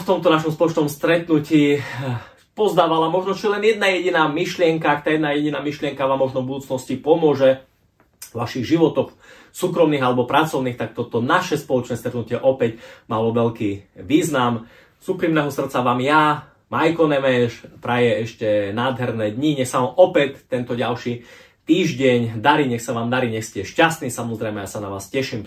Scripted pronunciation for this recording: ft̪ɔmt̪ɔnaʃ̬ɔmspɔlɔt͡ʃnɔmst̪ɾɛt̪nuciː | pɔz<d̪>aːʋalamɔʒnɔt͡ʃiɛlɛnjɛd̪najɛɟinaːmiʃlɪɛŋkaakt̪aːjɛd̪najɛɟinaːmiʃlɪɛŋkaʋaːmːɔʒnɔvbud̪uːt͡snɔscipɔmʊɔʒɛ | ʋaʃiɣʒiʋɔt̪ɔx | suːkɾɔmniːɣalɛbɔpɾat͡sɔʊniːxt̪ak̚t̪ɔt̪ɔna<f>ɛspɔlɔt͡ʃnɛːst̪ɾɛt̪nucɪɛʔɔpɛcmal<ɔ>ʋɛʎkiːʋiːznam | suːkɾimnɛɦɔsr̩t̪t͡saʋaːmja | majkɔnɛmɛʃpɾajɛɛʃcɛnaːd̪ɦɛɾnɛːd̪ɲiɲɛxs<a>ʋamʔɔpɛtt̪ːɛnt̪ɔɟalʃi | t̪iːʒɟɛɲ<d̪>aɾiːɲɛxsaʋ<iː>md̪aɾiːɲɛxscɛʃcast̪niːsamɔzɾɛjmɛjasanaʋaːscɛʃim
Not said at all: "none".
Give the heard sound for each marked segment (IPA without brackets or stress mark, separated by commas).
d̪, ʃ, ɔ, a, d̪, aː